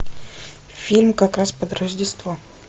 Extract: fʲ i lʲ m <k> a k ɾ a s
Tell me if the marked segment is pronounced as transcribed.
yes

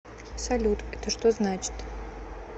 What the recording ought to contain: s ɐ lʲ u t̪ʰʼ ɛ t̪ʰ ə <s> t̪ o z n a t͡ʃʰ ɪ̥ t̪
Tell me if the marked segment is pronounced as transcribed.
no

